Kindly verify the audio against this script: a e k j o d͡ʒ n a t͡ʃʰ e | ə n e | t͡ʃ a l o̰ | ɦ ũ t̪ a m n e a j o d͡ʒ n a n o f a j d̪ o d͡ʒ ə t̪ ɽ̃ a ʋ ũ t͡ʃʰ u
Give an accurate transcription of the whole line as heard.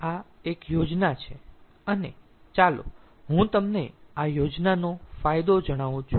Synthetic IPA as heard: a e k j o d͡ʒ n a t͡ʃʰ e | ə n e | t͡ʃ a l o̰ | ɦ ũ t̪ ə m n e a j o d͡ʒ n a n o f a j d̪ o d͡ʒ ə ɽ̃ a ʋ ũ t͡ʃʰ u